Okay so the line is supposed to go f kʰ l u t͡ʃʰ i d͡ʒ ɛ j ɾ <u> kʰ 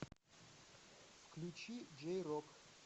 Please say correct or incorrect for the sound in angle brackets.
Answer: incorrect